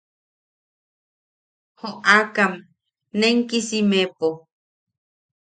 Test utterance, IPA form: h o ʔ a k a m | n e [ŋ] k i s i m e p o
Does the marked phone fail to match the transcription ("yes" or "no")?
no